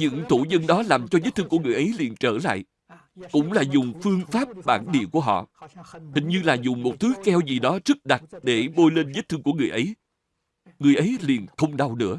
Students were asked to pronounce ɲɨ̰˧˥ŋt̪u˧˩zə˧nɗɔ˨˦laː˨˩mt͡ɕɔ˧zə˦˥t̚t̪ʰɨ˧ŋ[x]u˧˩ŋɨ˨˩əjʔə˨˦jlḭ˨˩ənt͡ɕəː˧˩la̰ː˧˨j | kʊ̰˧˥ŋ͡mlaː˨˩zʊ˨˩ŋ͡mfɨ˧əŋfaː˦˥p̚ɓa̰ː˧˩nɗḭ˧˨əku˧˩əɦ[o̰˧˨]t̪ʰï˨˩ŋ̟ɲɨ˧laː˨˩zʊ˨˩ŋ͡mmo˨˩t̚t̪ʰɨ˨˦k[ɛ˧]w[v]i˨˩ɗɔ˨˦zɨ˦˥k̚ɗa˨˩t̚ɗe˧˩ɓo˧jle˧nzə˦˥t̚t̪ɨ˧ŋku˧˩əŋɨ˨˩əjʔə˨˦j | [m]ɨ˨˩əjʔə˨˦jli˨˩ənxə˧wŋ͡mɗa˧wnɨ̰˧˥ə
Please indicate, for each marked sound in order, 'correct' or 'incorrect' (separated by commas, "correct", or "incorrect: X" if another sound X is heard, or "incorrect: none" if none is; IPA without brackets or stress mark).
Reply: incorrect: k, incorrect: ɔ̰˧˨, correct, incorrect: z, incorrect: ŋ